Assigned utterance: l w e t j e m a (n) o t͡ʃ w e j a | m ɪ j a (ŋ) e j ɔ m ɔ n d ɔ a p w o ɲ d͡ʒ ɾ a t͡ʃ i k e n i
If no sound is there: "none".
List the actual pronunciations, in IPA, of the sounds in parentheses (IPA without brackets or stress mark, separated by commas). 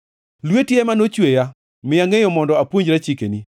n, ŋ